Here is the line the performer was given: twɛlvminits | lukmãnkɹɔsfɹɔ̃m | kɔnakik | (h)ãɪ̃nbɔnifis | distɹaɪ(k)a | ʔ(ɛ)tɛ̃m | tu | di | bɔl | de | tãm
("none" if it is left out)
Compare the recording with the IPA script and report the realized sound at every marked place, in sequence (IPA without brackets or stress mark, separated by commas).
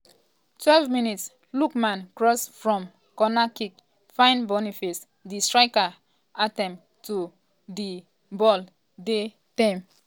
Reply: f, k, a